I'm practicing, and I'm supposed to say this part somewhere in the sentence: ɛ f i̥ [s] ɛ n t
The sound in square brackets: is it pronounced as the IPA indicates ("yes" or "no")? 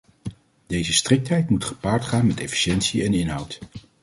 no